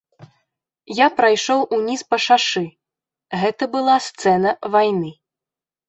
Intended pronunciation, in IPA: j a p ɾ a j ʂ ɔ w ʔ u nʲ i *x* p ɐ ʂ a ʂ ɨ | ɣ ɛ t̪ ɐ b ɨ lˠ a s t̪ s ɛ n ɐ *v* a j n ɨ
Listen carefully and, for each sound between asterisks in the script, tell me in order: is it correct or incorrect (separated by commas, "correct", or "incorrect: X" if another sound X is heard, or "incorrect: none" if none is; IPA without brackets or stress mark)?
incorrect: s, correct